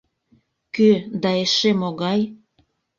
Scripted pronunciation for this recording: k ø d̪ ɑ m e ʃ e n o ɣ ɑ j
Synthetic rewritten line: k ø d̪ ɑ e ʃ e m o ɣ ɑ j